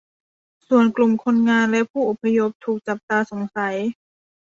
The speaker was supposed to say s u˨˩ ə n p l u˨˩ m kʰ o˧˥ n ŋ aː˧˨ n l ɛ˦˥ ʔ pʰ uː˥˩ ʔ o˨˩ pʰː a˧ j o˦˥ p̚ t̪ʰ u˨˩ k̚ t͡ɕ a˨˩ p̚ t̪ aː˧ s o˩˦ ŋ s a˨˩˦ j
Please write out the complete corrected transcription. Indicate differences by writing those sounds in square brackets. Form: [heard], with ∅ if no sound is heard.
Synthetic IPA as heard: s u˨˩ ə n [k] l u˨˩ m kʰ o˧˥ n ŋ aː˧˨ n l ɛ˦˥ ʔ pʰ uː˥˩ ʔ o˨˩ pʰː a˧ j o˦˥ p̚ t̪ʰ [uː˨˩] k̚ t͡ɕ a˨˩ p̚ t̪ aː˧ s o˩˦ ŋ s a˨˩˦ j